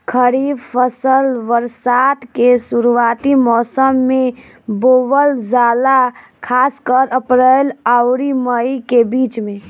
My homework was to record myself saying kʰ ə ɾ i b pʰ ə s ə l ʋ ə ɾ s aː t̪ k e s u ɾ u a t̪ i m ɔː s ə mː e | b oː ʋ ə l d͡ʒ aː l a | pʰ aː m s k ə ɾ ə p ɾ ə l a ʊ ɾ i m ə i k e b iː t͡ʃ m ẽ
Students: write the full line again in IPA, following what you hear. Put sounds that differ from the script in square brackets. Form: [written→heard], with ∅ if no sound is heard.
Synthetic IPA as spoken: kʰ ə ɾ i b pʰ ə s ə l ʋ ə ɾ s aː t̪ k e s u ɾ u a t̪ i m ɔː s ə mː e | b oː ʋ ə l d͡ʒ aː l a | [pʰ→kʰ] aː [m→∅] s k ə ɾ ə p ɾ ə l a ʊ ɾ i m ə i k e b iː t͡ʃ m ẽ